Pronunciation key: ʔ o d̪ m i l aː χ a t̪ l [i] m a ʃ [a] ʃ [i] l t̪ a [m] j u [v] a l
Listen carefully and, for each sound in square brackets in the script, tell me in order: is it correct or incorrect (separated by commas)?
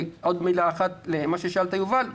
incorrect, incorrect, incorrect, incorrect, correct